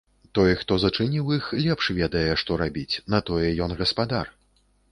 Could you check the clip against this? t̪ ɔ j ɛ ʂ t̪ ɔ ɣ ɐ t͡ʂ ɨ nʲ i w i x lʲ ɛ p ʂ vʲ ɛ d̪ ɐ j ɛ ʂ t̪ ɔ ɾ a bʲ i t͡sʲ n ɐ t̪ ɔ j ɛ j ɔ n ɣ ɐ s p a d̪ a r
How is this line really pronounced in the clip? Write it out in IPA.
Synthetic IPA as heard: t̪ ɔ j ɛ x t̪ ɔ z ɐ t͡ʂ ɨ nʲ i w i x lʲ ɛ p ʂ vʲ ɛ d̪ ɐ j ɛ ʂ t̪ ɔ ɾ a bʲ i t͡sʲ n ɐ t̪ ɔ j ɛ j ɔ n ɣ ɐ s p a d̪ a r